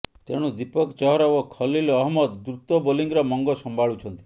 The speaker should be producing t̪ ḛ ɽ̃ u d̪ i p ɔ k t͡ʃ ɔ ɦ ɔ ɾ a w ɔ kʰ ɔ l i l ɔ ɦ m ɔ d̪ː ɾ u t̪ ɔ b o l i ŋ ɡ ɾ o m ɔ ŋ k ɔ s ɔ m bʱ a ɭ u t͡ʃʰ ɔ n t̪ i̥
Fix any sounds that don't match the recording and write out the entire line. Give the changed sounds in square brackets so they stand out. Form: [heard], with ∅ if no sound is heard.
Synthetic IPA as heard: t̪ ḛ ɽ̃ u d̪ i p ɔ k t͡ʃ ɔ ɦ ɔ ɾ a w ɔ kʰ ɔ l i l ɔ ɦ m ɔ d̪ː ɾ u t̪ ɔ b o l i ŋ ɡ ɾ [ɔ] m ɔ ŋ [ɡ] ɔ s ɔ m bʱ a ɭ u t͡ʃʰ ɔ n t̪ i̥

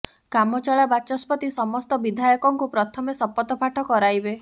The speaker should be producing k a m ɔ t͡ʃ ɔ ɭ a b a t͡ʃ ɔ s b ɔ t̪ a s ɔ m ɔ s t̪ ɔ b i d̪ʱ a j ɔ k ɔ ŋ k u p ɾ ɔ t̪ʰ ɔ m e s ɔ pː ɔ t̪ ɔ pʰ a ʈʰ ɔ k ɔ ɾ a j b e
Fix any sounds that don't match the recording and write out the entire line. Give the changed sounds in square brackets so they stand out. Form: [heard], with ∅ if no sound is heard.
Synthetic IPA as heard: k a m ɔ t͡ʃ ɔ ɭ a b a t͡ʃ ɔ s [p] ɔ t̪ [i] s ɔ m ɔ s t̪ ɔ b i d̪ʱ a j ɔ k ɔ ŋ k u p ɾ ɔ t̪ʰ ɔ m e s ɔ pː ɔ t̪ ɔ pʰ a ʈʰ ɔ k ɔ ɾ a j b e

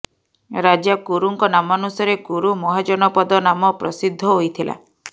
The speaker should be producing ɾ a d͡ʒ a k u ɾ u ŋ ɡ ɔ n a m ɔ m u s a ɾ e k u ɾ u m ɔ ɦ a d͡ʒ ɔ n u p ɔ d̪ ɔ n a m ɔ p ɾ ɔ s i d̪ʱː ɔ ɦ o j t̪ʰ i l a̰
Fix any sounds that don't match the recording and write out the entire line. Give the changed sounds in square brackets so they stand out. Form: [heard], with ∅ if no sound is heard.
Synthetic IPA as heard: ɾ a d͡ʒ a k u ɾ u ŋ [k] ɔ n a m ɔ [n] u s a ɾ e k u ɾ u m ɔ ɦ a d͡ʒ ɔ n [ɔ] p ɔ d̪ ɔ n a m ɔ p ɾ ɔ s i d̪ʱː ɔ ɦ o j t̪ʰ i l a̰

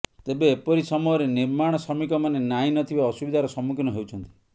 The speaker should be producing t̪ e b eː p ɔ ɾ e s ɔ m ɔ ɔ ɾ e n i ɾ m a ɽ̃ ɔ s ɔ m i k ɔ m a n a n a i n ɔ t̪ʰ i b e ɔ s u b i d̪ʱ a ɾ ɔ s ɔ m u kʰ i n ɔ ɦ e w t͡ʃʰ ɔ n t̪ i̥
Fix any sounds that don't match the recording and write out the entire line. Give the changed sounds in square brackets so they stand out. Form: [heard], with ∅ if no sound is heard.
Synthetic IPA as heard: t̪ e b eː p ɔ ɾ [i] s ɔ m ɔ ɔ ɾ e n i ɾ m a ɽ̃ ɔ s ɔ m i k ɔ m a n [e] n a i n ɔ t̪ʰ i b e ɔ s u b i d̪ʱ a ɾ ɔ s ɔ m u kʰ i n ɔ ɦ e w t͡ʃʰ ɔ n t̪ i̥

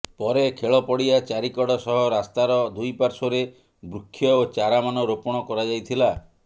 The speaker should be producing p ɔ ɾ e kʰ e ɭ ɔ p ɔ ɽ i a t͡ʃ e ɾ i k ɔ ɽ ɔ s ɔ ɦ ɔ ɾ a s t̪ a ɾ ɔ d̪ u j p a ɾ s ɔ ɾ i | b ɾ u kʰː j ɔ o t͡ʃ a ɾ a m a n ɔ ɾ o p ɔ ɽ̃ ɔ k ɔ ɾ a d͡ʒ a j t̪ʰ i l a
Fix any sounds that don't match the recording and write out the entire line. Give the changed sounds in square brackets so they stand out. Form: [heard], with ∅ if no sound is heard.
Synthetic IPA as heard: p ɔ ɾ e kʰ e ɭ ɔ p ɔ ɽ i a t͡ʃ [a] ɾ i k ɔ ɽ ɔ s ɔ ɦ ɔ ɾ a s t̪ a ɾ ɔ d̪ u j p a ɾ s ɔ ɾ [e] | b ɾ u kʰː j ɔ o t͡ʃ a ɾ a m a n ɔ ɾ o p ɔ ɽ̃ ɔ k ɔ ɾ a d͡ʒ a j t̪ʰ i l a

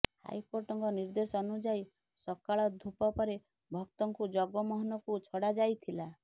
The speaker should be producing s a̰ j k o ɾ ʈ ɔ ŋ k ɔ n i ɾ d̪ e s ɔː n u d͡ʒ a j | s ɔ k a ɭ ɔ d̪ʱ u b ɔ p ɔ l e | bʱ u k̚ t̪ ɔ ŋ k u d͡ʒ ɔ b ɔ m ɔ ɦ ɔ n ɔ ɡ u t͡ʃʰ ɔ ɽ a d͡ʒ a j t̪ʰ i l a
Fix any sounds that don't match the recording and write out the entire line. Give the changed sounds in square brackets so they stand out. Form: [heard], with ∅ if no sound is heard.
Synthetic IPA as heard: [h] a̰ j k o ɾ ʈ ɔ ŋ k ɔ n i ɾ d̪ e s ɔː n u d͡ʒ a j | s ɔ k a ɭ ɔ d̪ʱ u [p] ɔ p ɔ [ɾ] e | bʱ [ɔ] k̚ t̪ ɔ ŋ k u d͡ʒ ɔ [ɡ] ɔ m ɔ ɦ ɔ n ɔ [k] u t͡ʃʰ ɔ ɽ a d͡ʒ a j t̪ʰ i l a

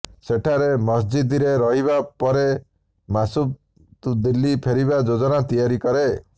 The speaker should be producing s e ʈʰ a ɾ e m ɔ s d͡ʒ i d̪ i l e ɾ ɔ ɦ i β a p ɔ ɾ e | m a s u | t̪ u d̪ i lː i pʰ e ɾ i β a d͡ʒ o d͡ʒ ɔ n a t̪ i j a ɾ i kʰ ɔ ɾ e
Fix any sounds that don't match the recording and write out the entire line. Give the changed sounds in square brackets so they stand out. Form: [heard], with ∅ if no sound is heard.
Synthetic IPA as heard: s e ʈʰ a ɾ e m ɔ s d͡ʒ i d̪ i [ɾ] e ɾ ɔ ɦ i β a p ɔ ɾ e | m a s u | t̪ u d̪ i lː i pʰ e ɾ i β a d͡ʒ o d͡ʒ ɔ n a t̪ i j a ɾ i [k] ɔ ɾ e

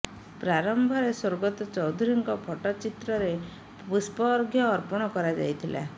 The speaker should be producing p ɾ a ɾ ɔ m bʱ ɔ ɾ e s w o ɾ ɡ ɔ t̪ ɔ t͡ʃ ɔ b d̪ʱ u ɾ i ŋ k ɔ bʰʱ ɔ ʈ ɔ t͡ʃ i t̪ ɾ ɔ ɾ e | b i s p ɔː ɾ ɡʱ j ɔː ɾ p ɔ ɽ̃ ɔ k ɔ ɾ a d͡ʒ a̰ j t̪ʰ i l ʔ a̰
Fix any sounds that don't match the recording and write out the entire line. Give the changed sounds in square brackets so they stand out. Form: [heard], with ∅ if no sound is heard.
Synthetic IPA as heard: p ɾ a ɾ ɔ m bʱ ɔ ɾ e s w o ɾ ɡ ɔ t̪ ɔ t͡ʃ ɔ [w] d̪ʱ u ɾ i ŋ k ɔ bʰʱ ɔ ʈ ɔ t͡ʃ i t̪ ɾ ɔ ɾ e | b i s p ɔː ɾ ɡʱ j ɔː ɾ p ɔ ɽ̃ ɔ k ɔ ɾ a d͡ʒ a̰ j t̪ʰ i l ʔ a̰

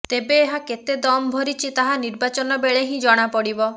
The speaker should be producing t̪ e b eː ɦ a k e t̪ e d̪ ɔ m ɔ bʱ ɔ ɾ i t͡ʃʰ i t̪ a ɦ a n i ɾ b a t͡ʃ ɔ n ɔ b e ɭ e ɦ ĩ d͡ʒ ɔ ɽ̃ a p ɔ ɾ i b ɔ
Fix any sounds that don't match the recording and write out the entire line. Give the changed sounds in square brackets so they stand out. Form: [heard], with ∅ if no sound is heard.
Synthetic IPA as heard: t̪ e b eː ɦ a k e t̪ e d̪ ɔ m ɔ bʱ ɔ ɾ i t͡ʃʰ i t̪ a ɦ a n i ɾ b a t͡ʃ ɔ n ɔ b e ɭ e ɦ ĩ d͡ʒ ɔ ɽ̃ a p ɔ [ɽ] i b ɔ

